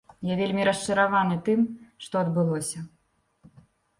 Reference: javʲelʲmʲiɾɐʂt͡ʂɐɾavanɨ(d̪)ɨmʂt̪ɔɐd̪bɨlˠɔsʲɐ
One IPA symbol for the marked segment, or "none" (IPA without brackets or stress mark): t̪